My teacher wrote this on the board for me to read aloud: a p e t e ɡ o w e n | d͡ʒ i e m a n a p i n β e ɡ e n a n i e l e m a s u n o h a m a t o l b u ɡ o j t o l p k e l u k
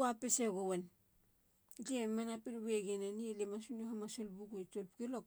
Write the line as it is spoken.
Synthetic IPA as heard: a p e s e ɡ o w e n | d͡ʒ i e m a n a p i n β e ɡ e n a n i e l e m a s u n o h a m a s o l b u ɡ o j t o l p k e l o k